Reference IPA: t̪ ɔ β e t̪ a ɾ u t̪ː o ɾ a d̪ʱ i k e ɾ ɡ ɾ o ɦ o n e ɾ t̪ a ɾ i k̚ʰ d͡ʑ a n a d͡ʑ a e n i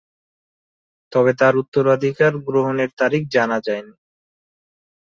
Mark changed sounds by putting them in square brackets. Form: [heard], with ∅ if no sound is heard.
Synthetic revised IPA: t̪ ɔ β e t̪ a ɾ u t̪ː o ɾ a d̪ʱ i k [a] ɾ ɡ ɾ o ɦ o n e ɾ t̪ a ɾ i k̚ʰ d͡ʑ a n a d͡ʑ a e n i